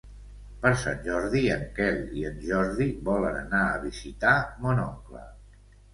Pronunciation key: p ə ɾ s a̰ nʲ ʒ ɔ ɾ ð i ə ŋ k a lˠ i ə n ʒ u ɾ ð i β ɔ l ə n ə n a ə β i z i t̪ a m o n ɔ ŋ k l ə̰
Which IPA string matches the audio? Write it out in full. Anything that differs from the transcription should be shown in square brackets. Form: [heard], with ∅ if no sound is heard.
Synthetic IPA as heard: p ə ɾ s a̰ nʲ ʒ ɔ ɾ ð i ə ŋ k [ɛ] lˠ i ə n ʒ [ɔ] ɾ ð i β ɔ l ə n ə n a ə β i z i t̪ a m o n ɔ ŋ k l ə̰